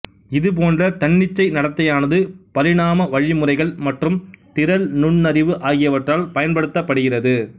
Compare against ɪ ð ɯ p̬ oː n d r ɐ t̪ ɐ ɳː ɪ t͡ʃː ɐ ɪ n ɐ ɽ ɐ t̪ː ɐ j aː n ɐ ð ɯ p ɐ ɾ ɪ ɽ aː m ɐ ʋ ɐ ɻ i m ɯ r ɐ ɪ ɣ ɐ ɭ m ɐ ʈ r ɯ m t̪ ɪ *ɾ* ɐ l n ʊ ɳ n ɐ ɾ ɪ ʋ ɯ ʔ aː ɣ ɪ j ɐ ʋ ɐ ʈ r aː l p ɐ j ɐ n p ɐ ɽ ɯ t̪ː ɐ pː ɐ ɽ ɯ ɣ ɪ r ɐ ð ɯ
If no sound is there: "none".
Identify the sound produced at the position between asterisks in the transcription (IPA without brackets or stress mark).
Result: ɾ